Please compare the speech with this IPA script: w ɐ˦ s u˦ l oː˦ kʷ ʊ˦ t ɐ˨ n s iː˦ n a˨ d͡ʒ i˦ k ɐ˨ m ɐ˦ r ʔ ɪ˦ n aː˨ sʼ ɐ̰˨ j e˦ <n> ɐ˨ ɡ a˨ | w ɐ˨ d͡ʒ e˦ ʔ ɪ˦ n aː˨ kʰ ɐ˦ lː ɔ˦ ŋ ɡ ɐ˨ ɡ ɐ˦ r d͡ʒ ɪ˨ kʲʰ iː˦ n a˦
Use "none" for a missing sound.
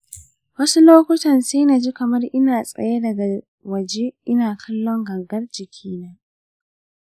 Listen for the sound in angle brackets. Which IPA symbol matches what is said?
d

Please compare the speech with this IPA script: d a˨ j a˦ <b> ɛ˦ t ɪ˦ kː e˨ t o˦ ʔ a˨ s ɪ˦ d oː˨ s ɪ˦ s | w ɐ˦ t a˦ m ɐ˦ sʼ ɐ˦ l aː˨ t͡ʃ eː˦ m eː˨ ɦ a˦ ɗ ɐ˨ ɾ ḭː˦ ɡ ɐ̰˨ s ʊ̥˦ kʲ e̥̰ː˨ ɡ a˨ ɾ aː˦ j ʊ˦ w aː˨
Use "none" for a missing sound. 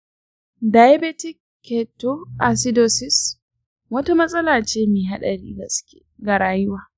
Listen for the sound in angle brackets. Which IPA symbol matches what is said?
b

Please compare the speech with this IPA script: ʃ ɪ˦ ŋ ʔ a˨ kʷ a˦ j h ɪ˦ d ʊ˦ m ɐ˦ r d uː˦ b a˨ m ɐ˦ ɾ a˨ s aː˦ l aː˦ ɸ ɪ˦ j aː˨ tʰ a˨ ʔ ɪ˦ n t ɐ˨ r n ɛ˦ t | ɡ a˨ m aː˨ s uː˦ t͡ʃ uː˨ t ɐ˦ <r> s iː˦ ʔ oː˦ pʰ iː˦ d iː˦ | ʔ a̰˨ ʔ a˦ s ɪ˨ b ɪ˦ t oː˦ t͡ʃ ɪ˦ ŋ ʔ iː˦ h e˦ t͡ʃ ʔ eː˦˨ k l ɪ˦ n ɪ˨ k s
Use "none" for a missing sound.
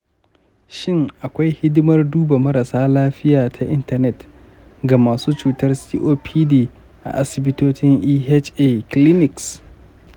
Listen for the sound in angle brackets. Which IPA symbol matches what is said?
r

